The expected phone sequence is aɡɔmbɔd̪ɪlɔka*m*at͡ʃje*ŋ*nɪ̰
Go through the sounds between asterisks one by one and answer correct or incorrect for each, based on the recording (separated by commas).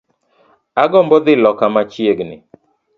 correct, incorrect